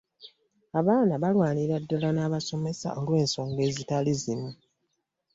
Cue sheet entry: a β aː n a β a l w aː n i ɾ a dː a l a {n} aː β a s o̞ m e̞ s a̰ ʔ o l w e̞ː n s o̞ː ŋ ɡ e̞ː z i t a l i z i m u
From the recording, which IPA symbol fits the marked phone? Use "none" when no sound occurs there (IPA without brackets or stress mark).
n